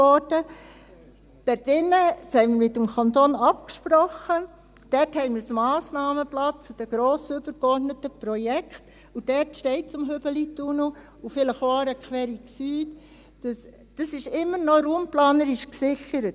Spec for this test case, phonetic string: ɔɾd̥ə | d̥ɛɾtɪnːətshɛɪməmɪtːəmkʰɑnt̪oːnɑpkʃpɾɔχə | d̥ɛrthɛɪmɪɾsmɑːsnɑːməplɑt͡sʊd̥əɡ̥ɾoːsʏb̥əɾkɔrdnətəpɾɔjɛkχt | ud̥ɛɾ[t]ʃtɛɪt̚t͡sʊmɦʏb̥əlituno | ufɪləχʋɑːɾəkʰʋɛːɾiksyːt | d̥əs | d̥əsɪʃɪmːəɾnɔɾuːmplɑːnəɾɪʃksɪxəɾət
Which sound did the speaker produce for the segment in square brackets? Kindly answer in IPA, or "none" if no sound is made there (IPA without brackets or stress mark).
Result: t